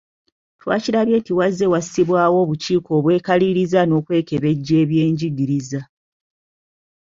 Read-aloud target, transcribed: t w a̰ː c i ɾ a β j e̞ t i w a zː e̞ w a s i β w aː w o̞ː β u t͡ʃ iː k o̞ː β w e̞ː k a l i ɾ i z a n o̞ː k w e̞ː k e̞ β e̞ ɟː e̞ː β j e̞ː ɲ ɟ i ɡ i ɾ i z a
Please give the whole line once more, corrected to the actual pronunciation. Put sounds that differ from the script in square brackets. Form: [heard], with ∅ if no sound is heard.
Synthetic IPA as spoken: t w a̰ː c i ɾ a β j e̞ t i w a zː e̞ w a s i β w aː w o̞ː β u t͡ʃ iː k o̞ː β w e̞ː k a l i ɾ i z a n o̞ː k w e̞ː k e̞ β e̞ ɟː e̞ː β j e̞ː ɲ ɟ i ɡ i ɾ i z a